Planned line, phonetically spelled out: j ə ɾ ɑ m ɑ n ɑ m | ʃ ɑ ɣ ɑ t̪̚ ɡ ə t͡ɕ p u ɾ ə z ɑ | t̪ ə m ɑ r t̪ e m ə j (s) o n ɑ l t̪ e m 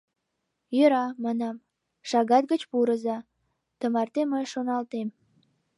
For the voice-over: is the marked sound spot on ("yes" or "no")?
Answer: no